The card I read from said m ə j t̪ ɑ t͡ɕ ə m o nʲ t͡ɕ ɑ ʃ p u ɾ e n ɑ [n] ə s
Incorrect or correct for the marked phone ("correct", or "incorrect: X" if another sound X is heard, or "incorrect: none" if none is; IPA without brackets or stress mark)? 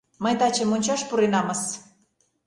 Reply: incorrect: m